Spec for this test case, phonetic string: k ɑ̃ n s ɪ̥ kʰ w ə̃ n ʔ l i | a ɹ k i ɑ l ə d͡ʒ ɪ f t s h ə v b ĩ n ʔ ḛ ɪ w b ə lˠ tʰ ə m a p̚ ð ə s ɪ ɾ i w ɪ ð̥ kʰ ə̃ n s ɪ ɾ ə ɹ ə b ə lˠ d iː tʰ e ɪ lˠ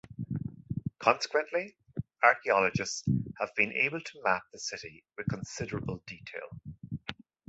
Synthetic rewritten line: kʰ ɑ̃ n s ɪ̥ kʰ w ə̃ n ʔ l i | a ɹ k i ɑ l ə d͡ʒ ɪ s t s h ə v b ĩ n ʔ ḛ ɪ b ə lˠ tʰ ə m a p̚ ð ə s ɪ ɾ i w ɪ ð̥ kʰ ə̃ n s ɪ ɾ ə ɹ ə b ə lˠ d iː tʰ e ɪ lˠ